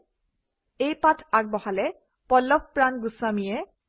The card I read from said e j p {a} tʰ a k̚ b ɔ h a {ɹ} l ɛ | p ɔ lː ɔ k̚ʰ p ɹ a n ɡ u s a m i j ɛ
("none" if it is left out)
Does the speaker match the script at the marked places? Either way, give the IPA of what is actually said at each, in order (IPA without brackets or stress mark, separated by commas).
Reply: a, none